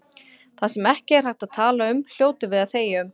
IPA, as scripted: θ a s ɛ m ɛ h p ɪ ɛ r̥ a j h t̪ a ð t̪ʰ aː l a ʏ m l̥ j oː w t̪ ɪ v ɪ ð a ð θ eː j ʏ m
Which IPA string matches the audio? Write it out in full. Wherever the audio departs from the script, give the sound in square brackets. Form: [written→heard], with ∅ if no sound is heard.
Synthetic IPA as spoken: θ a s ɛ m ɛ h [p→c] ɪ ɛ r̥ a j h t̪ a ð t̪ʰ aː l a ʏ m l̥ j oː w t̪ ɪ v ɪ ð a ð θ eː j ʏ m